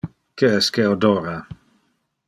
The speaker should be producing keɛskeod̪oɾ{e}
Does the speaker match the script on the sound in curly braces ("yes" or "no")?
no